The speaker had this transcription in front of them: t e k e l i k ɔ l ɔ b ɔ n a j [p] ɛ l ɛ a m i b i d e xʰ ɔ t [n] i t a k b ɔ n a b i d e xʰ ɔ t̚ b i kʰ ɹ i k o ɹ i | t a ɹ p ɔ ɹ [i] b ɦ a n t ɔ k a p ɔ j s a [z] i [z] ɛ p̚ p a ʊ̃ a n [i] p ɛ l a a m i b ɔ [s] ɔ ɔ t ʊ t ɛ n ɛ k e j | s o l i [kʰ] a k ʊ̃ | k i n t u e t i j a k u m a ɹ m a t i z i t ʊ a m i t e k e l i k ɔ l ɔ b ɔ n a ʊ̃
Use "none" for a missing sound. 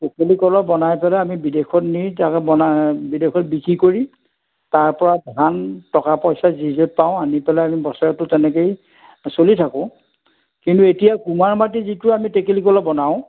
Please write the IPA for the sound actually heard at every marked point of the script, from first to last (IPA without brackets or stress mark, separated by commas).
p, n, a, z, z, i, s, tʰ